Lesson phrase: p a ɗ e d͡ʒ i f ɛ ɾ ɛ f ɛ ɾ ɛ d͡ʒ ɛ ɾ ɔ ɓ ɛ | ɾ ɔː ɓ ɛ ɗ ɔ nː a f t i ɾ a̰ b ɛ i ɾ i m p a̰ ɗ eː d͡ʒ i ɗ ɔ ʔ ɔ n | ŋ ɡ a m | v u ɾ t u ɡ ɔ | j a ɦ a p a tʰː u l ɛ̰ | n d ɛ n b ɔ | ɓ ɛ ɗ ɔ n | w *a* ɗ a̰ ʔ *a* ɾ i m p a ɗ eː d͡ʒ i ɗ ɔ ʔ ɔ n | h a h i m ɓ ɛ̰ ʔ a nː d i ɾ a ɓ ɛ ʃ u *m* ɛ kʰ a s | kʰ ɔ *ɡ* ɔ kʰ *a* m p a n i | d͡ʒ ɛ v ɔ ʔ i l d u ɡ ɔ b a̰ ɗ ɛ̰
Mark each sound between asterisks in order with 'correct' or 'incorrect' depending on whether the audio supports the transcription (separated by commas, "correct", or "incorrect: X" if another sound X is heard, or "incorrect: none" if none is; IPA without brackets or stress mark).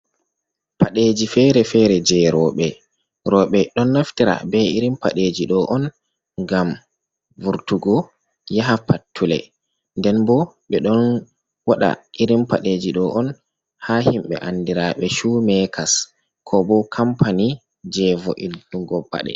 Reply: correct, incorrect: i, correct, incorrect: b, correct